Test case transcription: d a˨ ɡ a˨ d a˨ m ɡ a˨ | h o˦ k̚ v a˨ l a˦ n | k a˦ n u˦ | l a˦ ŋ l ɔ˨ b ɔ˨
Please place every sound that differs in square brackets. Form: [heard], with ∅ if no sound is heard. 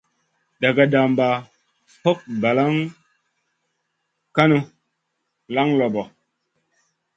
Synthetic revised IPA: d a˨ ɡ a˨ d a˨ m [b] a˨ | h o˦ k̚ [b] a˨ l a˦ [ŋ] | k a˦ n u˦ | l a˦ ŋ l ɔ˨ b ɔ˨